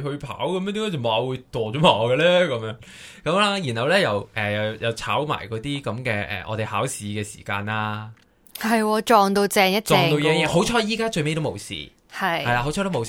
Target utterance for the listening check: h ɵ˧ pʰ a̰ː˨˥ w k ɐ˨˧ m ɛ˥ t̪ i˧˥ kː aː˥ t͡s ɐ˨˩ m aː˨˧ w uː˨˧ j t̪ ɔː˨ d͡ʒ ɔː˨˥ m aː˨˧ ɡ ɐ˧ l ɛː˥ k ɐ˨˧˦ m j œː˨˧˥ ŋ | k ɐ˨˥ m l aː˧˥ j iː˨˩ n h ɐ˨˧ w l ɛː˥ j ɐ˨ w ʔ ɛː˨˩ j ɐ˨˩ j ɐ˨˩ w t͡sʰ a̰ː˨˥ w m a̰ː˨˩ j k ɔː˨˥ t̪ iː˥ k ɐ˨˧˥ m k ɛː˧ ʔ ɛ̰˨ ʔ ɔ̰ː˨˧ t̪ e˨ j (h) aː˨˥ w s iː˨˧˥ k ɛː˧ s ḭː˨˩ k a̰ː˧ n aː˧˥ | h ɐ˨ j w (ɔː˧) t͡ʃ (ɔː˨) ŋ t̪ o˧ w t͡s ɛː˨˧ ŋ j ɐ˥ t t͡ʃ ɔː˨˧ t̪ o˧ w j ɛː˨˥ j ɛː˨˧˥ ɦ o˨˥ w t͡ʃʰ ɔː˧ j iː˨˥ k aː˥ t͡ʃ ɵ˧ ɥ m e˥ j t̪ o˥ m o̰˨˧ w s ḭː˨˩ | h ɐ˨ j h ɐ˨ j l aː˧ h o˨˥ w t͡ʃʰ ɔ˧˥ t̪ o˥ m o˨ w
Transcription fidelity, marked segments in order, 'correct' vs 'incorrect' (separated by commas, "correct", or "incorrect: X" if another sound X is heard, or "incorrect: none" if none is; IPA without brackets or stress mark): correct, correct, correct